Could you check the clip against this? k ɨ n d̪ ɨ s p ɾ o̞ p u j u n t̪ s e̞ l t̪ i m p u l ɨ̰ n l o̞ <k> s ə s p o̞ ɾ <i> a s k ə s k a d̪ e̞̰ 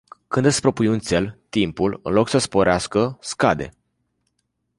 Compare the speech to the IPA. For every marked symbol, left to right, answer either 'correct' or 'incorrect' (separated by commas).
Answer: correct, incorrect